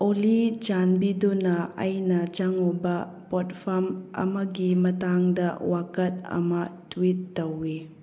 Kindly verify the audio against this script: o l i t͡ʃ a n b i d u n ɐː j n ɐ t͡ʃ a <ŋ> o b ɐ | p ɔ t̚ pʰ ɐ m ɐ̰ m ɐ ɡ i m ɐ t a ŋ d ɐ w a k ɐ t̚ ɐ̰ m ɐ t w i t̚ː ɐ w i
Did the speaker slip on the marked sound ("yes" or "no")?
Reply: no